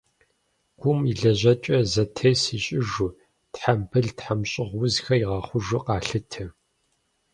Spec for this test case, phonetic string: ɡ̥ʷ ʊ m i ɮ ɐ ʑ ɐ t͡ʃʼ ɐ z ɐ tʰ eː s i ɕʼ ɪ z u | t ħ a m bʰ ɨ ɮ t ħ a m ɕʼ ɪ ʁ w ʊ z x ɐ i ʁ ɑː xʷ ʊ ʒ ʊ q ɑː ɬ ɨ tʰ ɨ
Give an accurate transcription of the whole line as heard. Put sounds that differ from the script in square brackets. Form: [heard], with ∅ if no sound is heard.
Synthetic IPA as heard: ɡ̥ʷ ʊ m i ɮ ɐ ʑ ɐ t͡ʃʼ ɐ z ɐ tʰ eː s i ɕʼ ɪ [ʒ] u | t ħ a m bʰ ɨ ɮ t ħ a m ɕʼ ɪ ʁ w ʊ z x ɐ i ʁ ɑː [χʷ] ʊ ʒ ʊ q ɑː ɬ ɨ tʰ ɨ